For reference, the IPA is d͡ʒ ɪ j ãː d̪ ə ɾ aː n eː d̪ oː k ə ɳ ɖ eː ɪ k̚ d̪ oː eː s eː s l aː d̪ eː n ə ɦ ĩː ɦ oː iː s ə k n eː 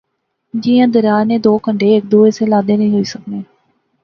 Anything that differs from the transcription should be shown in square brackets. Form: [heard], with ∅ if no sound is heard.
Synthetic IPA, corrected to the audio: d͡ʒ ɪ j ãː d̪ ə ɾ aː n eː d̪ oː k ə ɳ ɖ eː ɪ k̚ d̪ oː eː s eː [∅] l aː d̪ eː n ə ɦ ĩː ɦ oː iː s ə k n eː